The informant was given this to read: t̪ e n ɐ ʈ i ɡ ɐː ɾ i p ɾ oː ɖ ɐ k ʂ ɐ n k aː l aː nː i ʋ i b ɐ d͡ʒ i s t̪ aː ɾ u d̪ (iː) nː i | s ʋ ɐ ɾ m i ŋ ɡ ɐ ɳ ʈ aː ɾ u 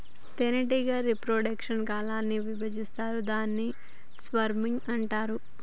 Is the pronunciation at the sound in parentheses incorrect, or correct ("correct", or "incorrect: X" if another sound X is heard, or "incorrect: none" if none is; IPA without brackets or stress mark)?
incorrect: aː